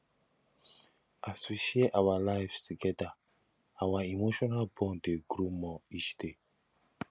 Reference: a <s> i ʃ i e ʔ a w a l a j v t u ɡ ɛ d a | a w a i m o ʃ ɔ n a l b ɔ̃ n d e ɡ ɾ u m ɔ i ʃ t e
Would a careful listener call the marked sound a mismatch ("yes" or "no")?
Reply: no